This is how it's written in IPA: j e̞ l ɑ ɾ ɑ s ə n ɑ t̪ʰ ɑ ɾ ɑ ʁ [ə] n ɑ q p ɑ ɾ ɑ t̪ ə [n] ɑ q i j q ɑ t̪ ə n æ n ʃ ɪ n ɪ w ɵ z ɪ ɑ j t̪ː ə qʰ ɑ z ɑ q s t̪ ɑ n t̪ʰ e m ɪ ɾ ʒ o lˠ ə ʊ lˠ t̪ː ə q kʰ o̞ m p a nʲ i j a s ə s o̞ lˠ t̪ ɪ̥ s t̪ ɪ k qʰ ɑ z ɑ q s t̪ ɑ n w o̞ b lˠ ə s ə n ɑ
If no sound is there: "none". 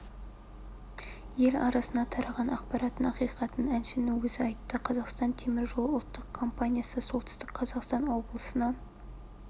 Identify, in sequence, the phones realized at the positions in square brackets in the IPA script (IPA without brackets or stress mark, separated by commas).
ɑ, n